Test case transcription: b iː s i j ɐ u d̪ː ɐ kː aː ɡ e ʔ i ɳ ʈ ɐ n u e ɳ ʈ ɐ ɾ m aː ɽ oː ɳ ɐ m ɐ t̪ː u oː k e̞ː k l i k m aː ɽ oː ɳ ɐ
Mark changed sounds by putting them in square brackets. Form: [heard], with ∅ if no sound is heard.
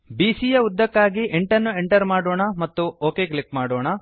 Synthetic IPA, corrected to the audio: b iː s i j ɐ u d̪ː ɐ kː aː ɡ [i] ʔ [e] ɳ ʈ ɐ [nː] u e ɳ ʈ ɐ ɾ m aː ɽ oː ɳ ɐ m ɐ t̪ː u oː k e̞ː k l i k m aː ɽ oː ɳ ɐ